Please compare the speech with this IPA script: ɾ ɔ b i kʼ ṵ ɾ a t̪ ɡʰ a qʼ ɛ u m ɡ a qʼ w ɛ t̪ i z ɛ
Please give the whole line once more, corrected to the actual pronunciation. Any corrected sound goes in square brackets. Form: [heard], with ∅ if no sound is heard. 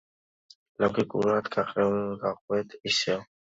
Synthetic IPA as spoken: [l] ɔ [ɡ] i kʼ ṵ ɾ a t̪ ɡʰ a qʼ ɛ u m ɡ a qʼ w ɛ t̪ i [s] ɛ